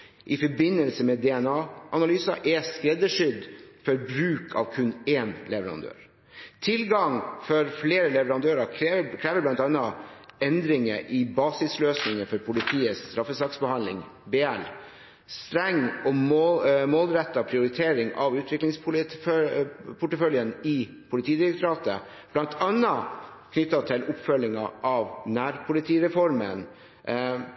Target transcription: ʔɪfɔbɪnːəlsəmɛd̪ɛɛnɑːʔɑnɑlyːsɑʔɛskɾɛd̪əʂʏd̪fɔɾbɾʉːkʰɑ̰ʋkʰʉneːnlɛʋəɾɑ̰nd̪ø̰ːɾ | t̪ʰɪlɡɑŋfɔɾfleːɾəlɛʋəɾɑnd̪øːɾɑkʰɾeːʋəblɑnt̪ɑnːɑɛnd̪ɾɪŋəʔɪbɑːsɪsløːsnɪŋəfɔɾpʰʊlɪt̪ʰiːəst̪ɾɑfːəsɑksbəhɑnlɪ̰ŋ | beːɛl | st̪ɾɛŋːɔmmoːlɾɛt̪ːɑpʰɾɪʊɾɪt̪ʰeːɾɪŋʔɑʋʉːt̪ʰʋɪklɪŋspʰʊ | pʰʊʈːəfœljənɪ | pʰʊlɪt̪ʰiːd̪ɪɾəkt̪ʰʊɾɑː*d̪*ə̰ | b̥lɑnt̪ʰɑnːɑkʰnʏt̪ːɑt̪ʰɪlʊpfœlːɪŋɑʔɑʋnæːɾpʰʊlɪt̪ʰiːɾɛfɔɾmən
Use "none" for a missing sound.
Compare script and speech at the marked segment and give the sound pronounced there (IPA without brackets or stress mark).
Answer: t̪